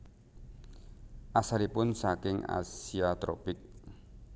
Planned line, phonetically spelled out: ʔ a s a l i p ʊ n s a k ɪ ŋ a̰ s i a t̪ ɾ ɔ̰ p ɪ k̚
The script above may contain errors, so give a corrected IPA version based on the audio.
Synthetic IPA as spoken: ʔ a s a l i p ʊ n s a k ɪ ŋ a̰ s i a t̪ ɾ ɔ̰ p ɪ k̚